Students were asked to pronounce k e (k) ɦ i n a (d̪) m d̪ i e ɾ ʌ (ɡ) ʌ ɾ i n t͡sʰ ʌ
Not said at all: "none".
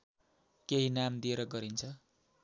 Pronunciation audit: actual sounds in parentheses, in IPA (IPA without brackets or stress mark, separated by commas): none, none, ɡ